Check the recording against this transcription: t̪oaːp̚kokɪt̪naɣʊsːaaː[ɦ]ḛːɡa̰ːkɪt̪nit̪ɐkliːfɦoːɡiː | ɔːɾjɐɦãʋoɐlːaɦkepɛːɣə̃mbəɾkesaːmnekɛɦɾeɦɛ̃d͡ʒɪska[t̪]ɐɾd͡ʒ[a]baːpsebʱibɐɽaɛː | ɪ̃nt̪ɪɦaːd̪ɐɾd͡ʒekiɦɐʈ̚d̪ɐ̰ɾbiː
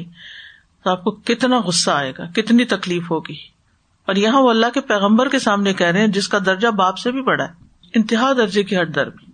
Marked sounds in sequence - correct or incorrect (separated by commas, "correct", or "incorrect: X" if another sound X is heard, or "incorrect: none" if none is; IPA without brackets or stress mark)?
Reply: incorrect: none, incorrect: d̪, correct